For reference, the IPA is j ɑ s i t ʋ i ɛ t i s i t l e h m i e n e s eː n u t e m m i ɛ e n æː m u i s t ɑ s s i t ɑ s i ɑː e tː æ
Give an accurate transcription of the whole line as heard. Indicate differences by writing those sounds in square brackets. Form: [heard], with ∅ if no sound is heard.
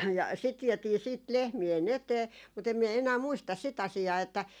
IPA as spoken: j ɑ s i t ʋ i ɛ t [iː] s [iː] t l e h m i e n e [t] eː [m] u t e m m i ɛ e n æː m u i s t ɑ s s i t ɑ s i ɑː e tː æ